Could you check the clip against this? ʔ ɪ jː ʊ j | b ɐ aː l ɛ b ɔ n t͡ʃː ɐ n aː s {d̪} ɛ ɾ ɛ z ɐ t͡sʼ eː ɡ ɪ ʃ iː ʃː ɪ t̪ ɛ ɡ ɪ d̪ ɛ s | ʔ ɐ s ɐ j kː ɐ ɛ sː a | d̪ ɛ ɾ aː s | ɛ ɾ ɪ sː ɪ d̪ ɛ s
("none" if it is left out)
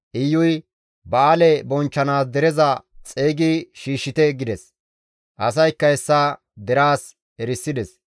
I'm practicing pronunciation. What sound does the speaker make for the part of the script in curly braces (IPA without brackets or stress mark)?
d̪